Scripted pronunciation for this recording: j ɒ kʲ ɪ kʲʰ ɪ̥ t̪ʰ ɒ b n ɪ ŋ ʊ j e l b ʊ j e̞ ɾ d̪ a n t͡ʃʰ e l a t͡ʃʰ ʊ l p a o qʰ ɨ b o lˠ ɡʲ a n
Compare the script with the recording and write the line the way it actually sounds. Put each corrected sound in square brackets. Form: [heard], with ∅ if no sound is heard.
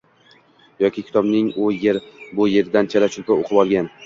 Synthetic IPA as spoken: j ɒ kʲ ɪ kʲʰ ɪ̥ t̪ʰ ɒ b n ɪ ŋ ʊ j e [ɾ] b ʊ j e̞ ɾ d̪ a n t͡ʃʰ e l a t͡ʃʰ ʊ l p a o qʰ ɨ b [ɒ] lˠ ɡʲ a n